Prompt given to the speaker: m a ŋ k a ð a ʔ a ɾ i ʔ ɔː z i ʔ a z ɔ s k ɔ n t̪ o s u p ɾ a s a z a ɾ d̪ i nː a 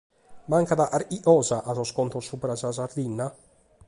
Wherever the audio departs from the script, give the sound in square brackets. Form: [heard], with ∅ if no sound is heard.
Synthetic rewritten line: m a ŋ k a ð a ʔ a ɾ i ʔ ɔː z [a] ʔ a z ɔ s k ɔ n t̪ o s u p ɾ a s a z a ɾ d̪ i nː a